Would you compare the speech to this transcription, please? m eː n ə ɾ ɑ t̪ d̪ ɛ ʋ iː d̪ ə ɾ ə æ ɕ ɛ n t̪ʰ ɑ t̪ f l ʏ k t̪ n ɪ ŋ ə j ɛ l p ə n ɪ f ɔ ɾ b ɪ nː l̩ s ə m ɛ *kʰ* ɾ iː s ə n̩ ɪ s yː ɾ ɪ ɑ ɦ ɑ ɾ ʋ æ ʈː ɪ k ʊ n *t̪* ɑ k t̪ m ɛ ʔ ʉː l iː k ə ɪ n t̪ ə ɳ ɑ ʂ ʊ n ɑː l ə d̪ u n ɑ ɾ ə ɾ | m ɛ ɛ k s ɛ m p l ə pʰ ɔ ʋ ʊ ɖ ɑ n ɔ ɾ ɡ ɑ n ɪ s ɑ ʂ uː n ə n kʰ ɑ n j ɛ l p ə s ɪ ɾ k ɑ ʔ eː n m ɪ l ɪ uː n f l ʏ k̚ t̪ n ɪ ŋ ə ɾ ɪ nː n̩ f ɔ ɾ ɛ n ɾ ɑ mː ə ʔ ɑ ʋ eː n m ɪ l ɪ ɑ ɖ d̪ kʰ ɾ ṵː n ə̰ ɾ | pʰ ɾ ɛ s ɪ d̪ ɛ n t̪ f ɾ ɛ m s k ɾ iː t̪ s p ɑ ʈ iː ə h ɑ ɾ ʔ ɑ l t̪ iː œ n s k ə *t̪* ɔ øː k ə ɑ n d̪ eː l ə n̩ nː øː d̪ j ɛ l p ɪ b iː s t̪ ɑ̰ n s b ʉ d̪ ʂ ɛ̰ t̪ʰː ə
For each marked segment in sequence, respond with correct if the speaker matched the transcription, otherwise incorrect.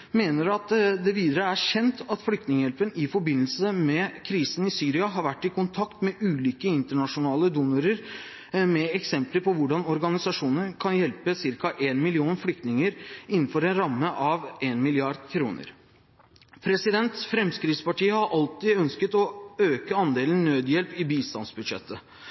correct, incorrect, correct

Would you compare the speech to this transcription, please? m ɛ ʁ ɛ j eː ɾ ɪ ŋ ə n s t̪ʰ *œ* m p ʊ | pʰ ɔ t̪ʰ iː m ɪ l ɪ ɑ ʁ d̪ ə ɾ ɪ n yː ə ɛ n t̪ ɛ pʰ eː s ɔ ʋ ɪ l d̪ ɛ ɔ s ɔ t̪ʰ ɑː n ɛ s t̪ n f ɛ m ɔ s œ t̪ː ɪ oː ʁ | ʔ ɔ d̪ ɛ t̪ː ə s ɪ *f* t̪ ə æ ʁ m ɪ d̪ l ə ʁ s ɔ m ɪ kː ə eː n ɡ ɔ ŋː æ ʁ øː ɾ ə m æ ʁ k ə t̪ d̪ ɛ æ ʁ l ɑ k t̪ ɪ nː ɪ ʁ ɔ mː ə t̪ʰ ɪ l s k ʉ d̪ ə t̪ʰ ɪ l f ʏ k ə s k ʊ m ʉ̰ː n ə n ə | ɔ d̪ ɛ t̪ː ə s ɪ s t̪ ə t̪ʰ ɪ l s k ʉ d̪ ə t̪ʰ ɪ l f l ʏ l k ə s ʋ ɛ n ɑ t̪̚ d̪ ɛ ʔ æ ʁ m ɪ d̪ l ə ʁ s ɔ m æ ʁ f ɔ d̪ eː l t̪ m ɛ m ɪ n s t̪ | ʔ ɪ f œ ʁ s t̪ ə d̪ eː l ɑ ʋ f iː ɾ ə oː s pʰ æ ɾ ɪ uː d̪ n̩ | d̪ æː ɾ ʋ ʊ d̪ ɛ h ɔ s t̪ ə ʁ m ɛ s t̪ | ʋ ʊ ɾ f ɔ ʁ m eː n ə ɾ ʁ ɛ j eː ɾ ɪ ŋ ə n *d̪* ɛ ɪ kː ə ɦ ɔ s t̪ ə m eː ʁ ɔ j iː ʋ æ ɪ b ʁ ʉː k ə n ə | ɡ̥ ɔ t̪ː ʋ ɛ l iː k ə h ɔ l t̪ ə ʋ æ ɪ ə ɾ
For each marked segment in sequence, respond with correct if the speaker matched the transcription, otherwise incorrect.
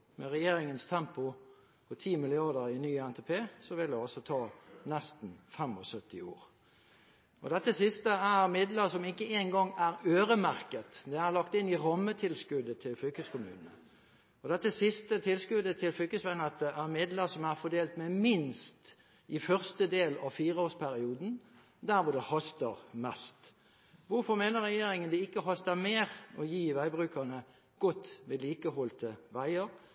incorrect, incorrect, correct

